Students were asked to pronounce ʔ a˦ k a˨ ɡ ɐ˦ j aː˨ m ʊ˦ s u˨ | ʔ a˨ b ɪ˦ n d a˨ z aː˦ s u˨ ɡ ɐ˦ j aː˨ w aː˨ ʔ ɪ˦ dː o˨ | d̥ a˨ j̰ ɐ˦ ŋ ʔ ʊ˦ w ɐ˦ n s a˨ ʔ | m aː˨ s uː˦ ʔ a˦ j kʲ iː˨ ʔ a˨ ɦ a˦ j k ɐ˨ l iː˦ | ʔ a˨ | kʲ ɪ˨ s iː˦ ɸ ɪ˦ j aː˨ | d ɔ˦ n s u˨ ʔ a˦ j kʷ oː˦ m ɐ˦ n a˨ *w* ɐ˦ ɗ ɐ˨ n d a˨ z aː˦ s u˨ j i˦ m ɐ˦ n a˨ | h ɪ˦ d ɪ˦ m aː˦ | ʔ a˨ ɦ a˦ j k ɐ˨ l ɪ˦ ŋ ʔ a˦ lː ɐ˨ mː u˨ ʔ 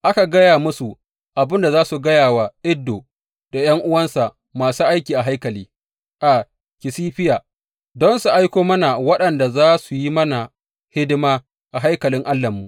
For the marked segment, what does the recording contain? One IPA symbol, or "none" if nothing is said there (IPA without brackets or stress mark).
w